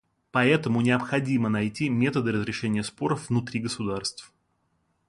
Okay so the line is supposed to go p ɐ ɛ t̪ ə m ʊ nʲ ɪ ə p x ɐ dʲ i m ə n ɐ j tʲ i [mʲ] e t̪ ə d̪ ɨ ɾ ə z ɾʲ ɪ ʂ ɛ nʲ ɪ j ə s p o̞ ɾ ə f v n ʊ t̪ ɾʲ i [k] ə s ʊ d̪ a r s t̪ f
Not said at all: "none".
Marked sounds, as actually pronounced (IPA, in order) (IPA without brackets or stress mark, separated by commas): mʲ, ɡ